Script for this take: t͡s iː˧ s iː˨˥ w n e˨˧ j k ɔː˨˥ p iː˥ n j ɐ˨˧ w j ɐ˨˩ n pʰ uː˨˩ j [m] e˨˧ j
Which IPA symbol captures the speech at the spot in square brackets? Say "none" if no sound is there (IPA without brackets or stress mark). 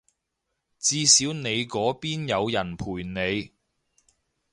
n